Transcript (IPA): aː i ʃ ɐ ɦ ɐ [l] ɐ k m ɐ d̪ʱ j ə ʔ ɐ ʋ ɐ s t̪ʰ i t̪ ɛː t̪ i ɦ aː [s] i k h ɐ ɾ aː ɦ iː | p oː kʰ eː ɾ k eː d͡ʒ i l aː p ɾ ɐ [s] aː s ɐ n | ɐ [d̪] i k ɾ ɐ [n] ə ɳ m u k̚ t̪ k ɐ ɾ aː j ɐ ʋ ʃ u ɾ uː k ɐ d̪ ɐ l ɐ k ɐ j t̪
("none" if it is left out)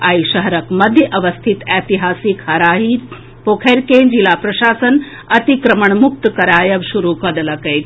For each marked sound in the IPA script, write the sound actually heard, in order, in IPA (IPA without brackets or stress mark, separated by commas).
ɾ, s, ʃ, t̪, m